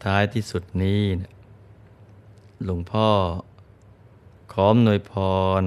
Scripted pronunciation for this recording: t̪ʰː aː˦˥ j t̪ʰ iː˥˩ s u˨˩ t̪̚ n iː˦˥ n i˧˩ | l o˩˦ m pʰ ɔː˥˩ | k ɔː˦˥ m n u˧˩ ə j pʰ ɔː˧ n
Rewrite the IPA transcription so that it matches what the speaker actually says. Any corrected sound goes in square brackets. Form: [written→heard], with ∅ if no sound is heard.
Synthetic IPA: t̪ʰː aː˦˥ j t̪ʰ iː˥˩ s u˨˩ t̪̚ n iː˦˥ n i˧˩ | l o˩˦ [m→ŋ] pʰ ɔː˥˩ | [k→kʰ] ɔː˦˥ m n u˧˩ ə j pʰ ɔː˧ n